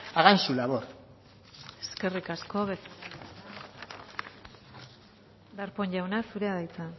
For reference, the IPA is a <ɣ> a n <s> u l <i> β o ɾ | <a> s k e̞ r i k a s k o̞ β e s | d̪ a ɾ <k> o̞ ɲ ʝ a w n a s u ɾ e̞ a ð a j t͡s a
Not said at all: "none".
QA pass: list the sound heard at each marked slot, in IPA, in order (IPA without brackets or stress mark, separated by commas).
ɣ, s, a, e, p